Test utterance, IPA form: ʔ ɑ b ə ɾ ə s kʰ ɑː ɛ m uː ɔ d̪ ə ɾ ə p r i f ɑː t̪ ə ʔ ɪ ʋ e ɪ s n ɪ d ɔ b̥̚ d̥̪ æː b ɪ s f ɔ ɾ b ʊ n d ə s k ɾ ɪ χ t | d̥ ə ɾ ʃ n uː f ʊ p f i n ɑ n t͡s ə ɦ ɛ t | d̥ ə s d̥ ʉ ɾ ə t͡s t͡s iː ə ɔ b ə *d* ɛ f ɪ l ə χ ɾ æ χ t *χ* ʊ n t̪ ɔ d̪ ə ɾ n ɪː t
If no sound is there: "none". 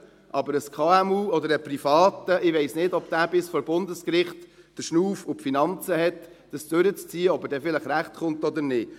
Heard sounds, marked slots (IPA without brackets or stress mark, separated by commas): d, χ